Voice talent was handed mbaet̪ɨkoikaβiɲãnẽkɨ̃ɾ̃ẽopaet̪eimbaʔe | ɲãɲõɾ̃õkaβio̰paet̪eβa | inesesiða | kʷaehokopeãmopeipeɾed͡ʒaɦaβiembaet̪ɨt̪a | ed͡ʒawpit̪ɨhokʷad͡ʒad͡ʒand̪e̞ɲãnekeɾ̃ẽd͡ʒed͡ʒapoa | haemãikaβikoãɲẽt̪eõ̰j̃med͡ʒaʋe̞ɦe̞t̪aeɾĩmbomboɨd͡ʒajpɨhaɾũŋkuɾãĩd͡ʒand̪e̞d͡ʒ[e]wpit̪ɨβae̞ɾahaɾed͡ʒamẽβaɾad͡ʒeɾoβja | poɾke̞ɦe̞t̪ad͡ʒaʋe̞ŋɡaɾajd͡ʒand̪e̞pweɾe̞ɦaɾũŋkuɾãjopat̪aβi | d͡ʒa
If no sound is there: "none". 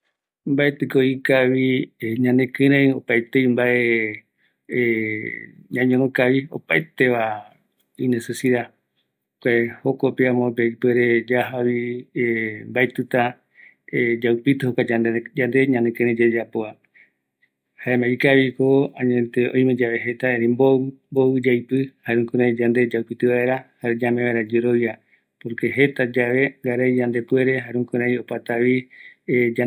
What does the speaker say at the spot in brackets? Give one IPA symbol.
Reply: a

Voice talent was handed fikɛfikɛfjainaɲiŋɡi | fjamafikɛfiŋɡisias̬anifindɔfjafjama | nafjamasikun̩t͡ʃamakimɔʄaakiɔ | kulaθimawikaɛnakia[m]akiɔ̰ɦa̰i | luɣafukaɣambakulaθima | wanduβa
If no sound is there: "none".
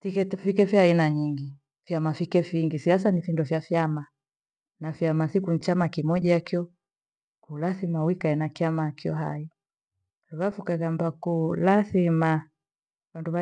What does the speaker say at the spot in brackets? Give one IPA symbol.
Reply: m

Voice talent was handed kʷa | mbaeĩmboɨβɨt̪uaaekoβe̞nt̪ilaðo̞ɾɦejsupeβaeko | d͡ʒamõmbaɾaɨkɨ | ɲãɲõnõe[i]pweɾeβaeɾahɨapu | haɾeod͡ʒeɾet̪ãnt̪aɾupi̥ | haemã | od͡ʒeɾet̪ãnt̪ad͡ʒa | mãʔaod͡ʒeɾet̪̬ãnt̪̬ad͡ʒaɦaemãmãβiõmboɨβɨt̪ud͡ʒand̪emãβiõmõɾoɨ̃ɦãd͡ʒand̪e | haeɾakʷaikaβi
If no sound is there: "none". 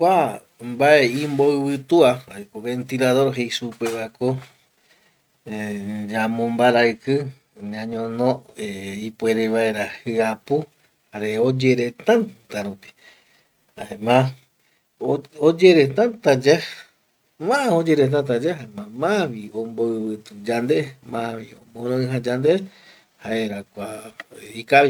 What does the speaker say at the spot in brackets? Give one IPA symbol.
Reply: i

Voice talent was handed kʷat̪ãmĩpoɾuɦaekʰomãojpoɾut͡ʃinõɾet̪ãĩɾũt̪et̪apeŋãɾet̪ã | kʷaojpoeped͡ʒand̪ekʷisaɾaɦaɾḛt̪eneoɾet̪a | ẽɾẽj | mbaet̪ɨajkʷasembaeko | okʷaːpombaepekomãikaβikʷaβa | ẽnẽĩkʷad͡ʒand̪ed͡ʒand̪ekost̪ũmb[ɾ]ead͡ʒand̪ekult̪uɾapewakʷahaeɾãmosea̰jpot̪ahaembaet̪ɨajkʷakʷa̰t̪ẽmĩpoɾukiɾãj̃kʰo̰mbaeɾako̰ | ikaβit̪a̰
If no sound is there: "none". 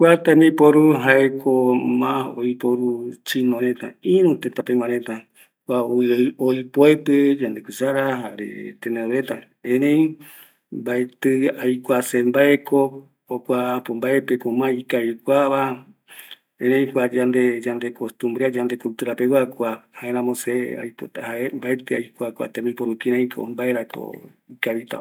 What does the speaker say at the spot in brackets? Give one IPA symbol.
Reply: ɾ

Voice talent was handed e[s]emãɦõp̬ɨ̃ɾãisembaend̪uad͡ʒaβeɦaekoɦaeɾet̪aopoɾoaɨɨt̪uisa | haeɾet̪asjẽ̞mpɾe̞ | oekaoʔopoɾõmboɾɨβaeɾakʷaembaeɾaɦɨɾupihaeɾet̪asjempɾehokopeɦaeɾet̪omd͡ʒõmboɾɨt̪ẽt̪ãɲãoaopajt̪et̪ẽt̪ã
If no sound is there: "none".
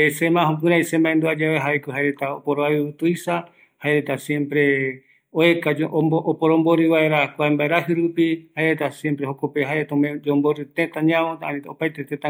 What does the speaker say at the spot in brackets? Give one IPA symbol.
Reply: s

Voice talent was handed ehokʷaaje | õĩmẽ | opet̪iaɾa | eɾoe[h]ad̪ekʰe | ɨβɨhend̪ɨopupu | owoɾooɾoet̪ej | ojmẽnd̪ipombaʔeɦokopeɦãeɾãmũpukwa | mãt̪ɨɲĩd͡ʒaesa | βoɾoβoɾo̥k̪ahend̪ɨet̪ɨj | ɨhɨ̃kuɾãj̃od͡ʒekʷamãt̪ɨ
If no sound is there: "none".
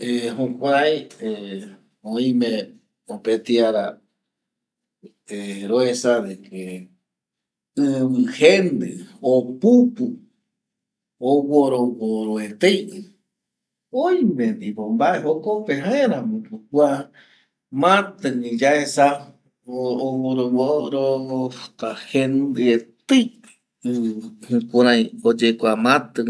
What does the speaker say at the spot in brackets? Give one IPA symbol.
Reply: s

